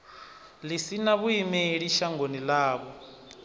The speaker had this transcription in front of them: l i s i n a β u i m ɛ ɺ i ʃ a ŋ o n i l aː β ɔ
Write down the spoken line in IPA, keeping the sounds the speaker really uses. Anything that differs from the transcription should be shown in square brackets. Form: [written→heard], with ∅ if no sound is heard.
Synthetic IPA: l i s i n a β u i m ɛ ɺ i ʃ a ŋ o n i l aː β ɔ